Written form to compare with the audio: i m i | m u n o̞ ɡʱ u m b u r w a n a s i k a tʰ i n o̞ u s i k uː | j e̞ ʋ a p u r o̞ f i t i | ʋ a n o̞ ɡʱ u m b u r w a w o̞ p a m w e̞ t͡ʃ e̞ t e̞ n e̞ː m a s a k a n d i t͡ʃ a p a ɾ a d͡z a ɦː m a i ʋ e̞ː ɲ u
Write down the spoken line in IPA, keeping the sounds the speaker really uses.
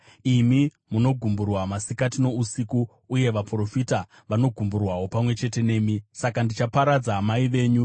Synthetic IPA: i m i | m u n o̞ ɡʱ u m b u r w a m a s i k a t i n o̞ u s i k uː | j e̞ ʋ a p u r o̞ f i t a | ʋ a n o̞ ɡʱ u m b u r w a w o̞ p a m w e̞ t͡ʃ e̞ t e̞ n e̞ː m i s a k a n d i t͡ʃ a p a ɾ a d͡z a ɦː m a i ʋ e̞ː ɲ u